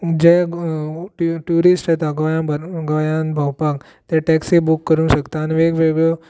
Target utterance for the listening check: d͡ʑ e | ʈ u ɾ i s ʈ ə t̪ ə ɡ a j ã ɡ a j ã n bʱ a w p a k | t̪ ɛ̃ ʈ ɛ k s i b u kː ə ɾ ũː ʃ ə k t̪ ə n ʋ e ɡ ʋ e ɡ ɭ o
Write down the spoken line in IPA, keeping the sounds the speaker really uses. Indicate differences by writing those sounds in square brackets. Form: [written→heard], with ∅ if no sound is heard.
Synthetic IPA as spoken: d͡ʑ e | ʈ u ɾ i s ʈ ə t̪ [ə→a] ɡ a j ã ɡ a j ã n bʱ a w p a k | t̪ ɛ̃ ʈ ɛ k s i b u kː ə ɾ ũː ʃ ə k t̪ [ə→a] n ʋ e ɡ ʋ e ɡ ɭ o

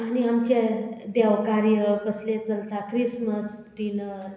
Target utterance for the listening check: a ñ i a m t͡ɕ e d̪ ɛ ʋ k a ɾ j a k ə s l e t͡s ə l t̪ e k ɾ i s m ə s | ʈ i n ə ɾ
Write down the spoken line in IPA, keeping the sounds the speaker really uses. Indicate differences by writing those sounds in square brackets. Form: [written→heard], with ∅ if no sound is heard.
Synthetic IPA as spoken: a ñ i a m t͡ɕ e d̪ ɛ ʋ k a ɾ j [a→ə] k ə s l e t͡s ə l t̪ [e→a] k ɾ i s m ə s | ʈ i n ə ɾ

